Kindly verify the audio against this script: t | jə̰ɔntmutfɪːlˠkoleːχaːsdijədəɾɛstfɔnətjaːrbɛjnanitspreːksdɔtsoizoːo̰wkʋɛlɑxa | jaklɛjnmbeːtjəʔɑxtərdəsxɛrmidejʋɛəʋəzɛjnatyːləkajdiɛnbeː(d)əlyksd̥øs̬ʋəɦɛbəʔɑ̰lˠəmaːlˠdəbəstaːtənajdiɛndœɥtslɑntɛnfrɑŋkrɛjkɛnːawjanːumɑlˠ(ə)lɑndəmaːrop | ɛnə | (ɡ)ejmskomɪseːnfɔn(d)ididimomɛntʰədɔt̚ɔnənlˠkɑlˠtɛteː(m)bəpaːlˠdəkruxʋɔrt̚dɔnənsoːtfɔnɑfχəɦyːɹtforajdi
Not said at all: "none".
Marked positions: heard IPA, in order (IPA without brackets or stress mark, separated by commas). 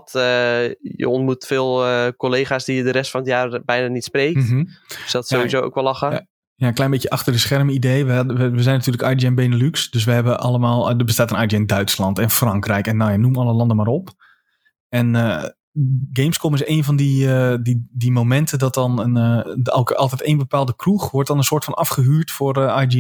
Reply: n, ə, ɡ, d, n